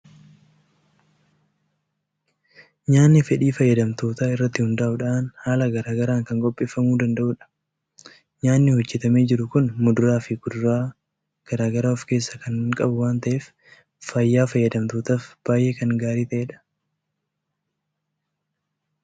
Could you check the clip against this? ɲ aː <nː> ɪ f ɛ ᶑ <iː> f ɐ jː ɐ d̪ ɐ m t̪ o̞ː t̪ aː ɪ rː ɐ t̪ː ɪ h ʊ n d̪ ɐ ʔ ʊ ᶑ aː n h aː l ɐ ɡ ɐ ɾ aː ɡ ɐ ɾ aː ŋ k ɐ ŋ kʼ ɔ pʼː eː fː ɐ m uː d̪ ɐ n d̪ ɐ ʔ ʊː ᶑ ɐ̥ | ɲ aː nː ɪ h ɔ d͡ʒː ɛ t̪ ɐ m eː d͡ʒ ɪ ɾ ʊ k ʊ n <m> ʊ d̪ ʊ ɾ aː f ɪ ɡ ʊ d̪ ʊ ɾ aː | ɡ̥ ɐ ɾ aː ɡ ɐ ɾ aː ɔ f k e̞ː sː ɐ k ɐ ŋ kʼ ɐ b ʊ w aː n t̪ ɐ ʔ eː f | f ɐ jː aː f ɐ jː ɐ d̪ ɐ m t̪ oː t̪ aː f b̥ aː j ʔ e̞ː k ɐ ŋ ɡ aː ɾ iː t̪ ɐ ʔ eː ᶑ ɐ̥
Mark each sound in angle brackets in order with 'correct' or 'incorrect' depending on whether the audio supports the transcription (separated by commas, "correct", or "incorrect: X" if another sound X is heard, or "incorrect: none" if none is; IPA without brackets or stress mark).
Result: correct, correct, correct